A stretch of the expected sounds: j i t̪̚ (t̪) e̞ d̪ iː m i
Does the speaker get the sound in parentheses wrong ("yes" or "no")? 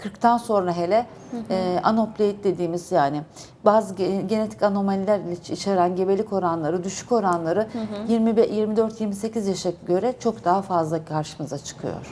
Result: yes